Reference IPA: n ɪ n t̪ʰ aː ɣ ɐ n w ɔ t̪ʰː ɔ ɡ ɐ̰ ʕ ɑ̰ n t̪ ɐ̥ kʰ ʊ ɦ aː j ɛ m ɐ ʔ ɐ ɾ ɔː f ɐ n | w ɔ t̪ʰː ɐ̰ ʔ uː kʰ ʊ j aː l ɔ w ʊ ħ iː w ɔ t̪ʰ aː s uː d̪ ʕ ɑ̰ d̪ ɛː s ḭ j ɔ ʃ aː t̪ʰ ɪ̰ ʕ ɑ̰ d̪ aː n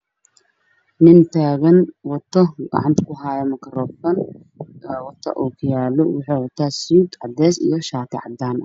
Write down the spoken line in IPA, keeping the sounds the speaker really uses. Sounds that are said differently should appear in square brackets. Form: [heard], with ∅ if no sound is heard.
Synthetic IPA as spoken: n ɪ n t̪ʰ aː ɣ ɐ n w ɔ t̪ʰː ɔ ɡ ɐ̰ ʕ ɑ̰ n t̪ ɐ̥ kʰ ʊ ɦ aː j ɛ m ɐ [k] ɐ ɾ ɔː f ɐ n | w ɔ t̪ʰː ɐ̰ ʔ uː kʰ ʊ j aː l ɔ w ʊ ħ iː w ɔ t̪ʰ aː s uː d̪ ʕ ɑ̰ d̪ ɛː s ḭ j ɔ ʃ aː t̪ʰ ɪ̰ ʕ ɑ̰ d̪ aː n